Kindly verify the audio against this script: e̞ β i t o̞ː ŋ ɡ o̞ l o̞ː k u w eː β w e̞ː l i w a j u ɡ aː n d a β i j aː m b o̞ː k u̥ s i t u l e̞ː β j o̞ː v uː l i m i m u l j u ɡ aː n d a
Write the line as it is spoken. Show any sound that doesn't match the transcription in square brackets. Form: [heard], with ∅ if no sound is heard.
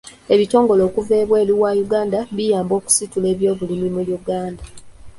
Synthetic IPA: e̞ β i t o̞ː ŋ ɡ o̞ l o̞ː k u [v] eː β w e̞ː l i w a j u ɡ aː n d a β i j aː m b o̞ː k u̥ s i t u l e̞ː β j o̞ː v [u] l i m i m u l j u ɡ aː n d a